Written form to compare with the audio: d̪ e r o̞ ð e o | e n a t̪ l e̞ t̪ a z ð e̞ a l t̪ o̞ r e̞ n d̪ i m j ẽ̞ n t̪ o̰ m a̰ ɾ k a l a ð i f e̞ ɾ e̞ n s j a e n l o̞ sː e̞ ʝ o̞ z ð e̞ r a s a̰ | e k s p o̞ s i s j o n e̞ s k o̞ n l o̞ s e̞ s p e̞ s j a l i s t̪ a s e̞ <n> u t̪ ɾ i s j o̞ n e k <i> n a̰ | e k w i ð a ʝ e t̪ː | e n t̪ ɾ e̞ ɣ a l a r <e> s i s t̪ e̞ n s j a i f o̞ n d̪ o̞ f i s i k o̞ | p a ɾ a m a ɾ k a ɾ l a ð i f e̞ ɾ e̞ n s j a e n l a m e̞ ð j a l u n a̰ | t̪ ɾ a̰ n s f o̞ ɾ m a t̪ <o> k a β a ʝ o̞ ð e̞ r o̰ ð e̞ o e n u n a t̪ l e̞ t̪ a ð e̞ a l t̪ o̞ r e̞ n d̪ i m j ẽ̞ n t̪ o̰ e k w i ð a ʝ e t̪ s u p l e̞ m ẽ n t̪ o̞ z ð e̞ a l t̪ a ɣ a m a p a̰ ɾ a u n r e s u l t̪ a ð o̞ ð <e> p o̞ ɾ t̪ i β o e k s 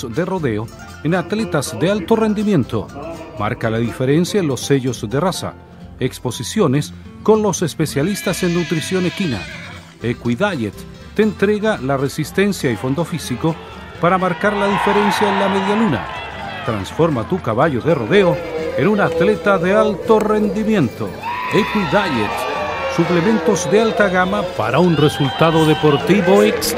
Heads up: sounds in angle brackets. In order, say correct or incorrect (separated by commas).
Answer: incorrect, correct, correct, incorrect, correct